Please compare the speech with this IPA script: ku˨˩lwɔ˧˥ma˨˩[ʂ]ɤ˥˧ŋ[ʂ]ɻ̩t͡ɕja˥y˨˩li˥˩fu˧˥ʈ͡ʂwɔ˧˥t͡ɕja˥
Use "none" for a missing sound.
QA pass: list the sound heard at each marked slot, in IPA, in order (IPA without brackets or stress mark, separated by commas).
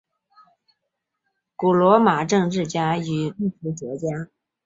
ʈ͡ʂ, ʈ͡ʂ